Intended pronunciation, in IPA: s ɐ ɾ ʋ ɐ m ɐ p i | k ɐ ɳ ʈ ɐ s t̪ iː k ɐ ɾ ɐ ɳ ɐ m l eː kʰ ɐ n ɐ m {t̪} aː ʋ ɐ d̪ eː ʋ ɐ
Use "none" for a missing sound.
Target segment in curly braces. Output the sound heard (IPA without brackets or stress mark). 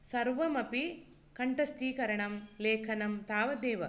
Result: t̪